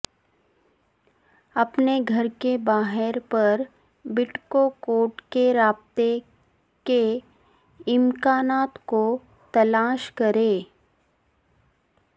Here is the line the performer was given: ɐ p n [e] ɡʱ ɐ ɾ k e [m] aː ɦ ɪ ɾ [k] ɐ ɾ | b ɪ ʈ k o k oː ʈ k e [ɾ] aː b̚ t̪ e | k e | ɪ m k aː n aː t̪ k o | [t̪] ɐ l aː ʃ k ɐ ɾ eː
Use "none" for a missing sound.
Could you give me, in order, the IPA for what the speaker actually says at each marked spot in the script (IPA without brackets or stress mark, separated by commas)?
e, b, p, ɾ, t̪